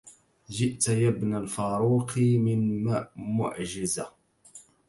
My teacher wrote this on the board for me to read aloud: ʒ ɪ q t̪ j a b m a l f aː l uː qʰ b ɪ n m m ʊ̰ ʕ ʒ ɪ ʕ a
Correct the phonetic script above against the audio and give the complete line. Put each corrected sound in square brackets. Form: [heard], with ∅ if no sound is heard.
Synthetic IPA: ʒ ɪ [ʔ] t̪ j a b [n] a l f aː [ɾ] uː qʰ [m] ɪ n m m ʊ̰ ʕ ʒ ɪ [z] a